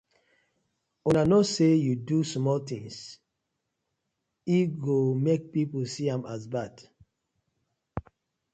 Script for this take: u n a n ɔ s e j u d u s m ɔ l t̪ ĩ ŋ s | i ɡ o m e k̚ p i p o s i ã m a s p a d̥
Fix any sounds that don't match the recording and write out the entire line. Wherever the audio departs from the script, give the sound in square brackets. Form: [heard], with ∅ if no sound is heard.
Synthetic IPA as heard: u n a n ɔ s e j u d u s m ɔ l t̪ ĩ ŋ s | i ɡ o m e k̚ p i p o s i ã m a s [b] a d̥